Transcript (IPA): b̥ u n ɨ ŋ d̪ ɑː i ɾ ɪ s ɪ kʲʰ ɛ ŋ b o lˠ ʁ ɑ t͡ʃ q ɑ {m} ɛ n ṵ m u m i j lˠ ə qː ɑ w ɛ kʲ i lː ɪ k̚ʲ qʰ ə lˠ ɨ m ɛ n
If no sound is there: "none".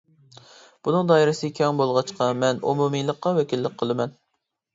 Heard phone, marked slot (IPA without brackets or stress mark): m